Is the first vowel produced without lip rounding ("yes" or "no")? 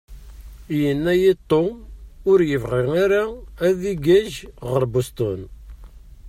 yes